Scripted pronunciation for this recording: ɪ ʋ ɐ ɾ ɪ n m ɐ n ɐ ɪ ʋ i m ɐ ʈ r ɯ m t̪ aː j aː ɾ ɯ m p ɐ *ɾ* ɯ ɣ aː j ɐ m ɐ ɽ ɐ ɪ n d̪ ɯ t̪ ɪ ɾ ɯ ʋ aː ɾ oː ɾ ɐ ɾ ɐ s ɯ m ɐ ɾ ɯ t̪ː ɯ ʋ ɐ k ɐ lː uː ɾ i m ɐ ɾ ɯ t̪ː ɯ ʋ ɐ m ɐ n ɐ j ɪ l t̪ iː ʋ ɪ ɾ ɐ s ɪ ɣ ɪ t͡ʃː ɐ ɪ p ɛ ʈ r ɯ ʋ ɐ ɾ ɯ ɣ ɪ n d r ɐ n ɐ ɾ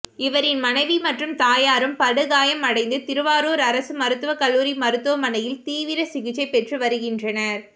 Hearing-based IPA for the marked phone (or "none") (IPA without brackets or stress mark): ɽ